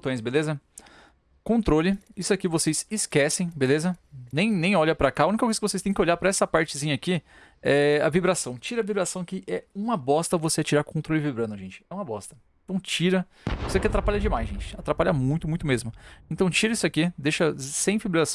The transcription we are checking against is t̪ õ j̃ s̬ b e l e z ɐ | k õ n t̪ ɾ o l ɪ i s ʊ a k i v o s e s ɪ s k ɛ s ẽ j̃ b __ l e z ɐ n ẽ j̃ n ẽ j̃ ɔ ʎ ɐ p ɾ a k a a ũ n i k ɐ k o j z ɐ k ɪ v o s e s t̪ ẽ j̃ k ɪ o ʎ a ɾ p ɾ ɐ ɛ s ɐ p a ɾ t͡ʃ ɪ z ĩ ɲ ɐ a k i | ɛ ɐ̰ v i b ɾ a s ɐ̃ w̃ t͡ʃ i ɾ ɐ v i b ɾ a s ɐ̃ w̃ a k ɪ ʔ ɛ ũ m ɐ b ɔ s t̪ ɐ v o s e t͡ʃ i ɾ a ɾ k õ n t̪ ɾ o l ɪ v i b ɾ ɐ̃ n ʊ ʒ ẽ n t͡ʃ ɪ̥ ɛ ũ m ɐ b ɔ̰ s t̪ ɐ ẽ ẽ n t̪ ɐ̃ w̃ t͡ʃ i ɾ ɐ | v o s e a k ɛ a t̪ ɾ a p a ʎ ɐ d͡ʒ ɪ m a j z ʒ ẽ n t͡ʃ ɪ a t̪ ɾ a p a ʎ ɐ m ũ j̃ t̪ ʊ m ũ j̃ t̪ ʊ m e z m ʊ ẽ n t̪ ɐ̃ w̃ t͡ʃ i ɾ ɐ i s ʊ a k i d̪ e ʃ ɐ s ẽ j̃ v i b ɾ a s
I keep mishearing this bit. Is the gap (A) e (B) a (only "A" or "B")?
A